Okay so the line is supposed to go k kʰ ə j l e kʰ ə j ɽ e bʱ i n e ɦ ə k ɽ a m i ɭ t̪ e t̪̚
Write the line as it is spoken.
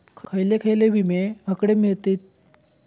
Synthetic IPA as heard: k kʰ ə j l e kʰ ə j l e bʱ i m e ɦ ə k ɽ e m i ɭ t̪ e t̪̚